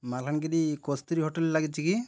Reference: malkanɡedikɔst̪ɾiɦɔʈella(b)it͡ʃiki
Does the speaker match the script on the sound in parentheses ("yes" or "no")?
no